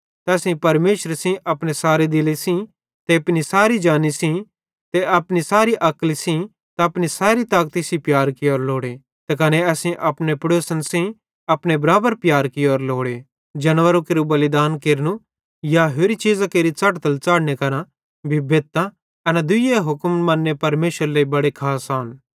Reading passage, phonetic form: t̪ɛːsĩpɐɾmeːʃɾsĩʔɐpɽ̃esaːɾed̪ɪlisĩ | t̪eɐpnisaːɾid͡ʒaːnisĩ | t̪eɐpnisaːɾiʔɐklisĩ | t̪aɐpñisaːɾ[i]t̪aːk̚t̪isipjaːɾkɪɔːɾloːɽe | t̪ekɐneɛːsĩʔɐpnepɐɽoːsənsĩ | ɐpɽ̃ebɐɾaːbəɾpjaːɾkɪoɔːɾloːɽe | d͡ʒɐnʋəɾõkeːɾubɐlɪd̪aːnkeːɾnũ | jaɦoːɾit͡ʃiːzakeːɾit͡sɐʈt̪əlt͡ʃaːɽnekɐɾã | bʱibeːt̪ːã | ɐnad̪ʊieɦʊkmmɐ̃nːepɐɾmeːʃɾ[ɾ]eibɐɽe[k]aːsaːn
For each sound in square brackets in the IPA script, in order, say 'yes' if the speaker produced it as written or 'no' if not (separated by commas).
yes, no, no